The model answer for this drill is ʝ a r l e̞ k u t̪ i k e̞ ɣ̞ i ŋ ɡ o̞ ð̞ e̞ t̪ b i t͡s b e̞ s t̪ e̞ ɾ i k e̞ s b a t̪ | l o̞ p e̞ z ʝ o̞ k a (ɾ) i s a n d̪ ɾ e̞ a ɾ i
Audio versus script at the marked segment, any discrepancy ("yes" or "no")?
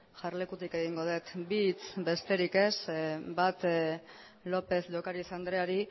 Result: no